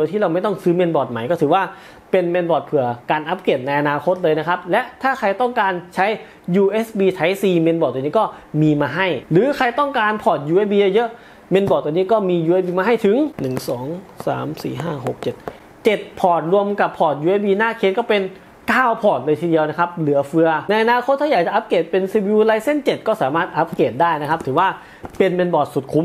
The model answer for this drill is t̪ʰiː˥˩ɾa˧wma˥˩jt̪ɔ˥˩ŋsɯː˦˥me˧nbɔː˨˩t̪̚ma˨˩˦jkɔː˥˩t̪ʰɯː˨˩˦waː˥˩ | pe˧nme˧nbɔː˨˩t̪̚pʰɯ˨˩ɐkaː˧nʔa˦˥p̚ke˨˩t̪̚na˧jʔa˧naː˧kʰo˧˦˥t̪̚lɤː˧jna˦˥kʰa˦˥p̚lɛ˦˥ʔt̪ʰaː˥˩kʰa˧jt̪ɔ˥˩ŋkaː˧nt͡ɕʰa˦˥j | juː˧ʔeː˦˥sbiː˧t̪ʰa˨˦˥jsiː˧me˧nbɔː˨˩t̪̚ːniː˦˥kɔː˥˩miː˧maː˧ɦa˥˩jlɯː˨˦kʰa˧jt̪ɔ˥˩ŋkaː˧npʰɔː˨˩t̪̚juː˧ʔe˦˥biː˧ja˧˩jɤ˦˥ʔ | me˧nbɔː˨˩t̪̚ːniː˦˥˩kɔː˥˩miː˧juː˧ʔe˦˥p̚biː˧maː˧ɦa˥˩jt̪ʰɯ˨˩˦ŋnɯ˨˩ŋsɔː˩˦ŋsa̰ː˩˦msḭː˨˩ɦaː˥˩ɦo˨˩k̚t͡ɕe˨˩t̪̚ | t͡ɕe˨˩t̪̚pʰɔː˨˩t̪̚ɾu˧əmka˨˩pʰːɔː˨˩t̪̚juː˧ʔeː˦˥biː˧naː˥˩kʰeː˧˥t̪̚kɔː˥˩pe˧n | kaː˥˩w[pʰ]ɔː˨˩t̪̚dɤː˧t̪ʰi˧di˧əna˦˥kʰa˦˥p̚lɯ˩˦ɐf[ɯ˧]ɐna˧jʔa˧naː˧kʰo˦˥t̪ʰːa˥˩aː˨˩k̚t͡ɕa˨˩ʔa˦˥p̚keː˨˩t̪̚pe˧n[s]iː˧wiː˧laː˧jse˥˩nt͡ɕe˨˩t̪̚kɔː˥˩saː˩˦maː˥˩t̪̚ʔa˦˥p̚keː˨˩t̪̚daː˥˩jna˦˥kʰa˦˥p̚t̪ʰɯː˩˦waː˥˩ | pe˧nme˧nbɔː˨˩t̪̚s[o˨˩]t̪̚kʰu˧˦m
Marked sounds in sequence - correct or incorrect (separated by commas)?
correct, correct, correct, incorrect